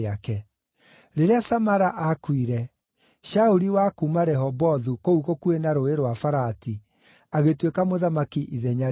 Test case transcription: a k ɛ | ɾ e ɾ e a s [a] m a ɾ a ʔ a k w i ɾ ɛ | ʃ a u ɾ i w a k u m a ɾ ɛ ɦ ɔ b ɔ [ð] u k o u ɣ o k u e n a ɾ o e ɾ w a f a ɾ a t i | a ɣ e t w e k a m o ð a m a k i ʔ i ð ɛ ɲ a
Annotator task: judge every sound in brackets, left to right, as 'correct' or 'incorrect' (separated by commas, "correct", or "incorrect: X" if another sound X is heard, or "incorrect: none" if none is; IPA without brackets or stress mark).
correct, correct